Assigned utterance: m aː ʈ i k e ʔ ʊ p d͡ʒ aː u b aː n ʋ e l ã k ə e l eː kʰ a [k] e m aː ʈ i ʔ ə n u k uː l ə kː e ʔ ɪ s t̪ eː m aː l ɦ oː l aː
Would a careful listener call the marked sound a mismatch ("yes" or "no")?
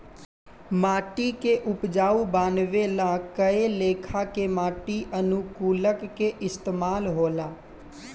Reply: no